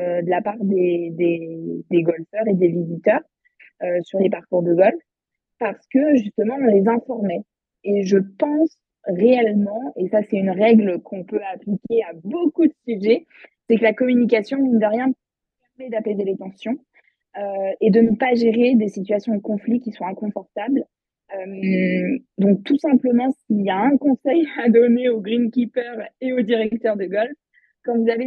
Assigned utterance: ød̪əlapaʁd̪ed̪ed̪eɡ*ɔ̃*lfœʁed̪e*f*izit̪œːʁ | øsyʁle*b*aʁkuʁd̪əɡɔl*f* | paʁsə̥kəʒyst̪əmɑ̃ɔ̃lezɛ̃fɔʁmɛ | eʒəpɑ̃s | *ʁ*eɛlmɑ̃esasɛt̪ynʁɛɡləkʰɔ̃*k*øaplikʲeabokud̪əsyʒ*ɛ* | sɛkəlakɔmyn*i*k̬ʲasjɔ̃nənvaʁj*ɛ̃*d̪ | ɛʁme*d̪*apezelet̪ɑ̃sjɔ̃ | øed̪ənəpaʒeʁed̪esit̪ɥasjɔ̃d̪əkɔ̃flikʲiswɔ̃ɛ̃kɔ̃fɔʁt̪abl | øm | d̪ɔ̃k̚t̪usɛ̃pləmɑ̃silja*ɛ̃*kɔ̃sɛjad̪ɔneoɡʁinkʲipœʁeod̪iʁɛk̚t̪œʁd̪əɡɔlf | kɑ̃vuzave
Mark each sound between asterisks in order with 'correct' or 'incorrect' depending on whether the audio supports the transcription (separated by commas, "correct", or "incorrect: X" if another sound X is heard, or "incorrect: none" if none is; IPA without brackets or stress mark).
incorrect: ɔ, incorrect: v, incorrect: p, correct, correct, incorrect: p, correct, correct, correct, correct, correct